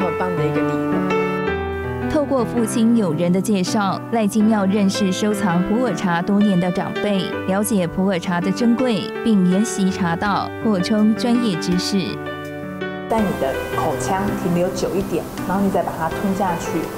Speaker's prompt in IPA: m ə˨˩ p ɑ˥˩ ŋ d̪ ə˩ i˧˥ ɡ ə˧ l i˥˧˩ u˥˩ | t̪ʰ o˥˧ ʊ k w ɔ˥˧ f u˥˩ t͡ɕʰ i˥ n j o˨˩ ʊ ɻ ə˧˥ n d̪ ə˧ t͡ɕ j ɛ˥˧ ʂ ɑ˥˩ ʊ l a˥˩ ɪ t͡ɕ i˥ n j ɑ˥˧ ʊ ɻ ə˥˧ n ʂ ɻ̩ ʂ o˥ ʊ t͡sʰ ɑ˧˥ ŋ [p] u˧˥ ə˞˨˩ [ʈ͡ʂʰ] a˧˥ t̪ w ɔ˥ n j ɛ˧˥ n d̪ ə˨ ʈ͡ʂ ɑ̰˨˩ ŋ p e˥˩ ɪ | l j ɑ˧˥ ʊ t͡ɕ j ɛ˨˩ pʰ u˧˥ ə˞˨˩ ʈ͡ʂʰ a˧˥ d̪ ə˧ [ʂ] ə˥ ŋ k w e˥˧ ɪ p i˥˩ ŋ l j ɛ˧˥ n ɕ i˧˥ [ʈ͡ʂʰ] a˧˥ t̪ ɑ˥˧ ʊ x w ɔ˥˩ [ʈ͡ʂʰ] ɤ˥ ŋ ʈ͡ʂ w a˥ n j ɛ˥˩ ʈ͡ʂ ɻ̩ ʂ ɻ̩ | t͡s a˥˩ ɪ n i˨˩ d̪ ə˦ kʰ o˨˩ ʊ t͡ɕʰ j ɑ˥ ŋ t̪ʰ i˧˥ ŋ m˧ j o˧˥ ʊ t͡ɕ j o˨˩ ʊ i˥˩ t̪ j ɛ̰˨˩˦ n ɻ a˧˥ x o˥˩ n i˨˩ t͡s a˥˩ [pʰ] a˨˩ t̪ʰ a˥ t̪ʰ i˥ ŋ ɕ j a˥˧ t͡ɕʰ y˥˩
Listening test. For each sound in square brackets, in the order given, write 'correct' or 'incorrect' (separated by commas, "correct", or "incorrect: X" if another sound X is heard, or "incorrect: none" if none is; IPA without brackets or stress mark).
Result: incorrect: pʰ, correct, incorrect: ʈ͡ʂ, correct, correct, incorrect: p